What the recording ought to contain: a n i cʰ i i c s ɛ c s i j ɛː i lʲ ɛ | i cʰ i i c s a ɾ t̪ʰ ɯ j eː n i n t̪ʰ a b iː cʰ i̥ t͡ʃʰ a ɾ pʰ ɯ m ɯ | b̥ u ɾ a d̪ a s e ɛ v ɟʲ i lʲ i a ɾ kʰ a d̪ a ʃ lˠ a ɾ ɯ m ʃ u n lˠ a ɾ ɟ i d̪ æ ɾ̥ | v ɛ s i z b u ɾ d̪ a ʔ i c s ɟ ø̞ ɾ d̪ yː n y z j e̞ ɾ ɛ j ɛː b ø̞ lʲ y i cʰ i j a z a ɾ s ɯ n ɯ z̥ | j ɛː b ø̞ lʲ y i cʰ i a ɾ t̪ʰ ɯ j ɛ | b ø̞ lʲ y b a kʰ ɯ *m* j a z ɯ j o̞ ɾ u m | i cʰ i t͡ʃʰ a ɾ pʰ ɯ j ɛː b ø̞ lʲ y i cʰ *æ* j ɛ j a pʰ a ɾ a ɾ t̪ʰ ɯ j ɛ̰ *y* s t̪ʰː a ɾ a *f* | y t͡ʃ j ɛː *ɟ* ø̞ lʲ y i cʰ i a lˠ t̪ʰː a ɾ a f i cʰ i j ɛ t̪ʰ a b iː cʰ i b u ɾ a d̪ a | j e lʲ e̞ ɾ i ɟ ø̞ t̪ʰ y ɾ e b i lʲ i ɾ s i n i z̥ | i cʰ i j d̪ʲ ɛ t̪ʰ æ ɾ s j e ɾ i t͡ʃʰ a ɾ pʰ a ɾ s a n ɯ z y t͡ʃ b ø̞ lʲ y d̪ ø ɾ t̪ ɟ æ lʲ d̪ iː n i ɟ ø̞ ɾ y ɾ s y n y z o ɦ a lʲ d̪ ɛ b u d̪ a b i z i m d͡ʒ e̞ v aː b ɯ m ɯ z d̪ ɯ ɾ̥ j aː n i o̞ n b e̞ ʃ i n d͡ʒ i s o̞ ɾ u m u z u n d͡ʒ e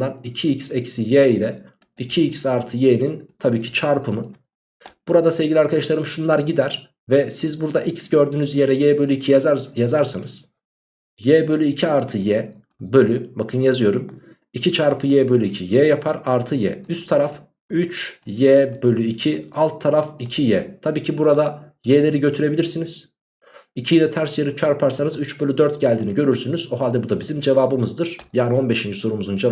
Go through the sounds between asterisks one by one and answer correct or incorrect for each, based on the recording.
incorrect, incorrect, correct, correct, incorrect

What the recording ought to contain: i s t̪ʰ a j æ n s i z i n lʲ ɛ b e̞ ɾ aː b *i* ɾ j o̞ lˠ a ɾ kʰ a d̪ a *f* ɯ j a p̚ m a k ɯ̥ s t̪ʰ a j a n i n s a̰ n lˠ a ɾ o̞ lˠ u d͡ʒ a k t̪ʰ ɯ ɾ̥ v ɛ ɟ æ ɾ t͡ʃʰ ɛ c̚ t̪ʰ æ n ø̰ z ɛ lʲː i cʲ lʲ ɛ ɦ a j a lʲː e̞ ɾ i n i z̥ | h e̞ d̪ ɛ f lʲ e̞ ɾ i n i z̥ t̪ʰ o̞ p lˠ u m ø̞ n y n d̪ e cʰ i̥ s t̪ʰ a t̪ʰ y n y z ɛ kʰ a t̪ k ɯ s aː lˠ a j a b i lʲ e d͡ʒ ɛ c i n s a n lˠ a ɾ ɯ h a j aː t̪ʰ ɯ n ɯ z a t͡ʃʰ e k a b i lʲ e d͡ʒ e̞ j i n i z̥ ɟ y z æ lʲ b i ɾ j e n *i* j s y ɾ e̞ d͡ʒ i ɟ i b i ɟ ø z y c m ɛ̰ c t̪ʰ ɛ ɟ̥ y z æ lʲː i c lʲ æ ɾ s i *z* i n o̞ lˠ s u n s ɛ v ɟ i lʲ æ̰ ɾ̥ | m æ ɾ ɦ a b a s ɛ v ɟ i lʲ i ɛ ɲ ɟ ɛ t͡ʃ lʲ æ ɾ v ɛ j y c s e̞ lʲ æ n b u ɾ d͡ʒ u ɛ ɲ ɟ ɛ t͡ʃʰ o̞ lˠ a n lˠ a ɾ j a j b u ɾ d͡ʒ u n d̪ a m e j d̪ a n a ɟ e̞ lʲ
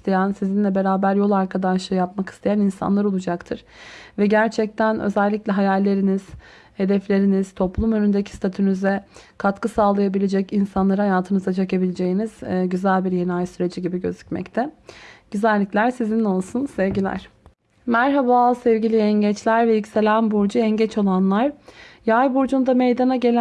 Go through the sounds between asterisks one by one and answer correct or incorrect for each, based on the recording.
incorrect, incorrect, incorrect, correct

